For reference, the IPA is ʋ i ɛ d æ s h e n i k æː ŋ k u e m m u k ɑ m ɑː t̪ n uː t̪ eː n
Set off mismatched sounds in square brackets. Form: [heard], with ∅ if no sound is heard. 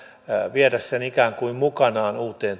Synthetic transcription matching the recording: ʋ i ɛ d æ s [s] e n i k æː ŋ k u [i] m m u k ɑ [n] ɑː [∅] n uː t̪ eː n